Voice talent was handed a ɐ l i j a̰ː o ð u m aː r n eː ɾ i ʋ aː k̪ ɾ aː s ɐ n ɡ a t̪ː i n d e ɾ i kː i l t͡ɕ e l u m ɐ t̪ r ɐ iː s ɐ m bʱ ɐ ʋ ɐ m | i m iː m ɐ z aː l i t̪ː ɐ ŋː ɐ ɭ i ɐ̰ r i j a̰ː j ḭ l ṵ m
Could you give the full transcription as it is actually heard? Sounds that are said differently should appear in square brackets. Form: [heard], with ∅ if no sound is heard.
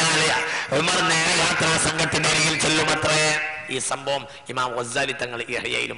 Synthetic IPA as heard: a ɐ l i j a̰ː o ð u m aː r n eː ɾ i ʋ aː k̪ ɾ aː s ɐ [ŋ] ɡ [ɐ] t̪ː i n d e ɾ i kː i l t͡ɕ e [lː] u m ɐ t̪ r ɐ iː s ɐ m bʱ ɐ ʋ ɐ m | i m [aː] m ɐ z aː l i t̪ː ɐ ŋː ɐ ɭ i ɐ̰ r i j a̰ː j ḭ l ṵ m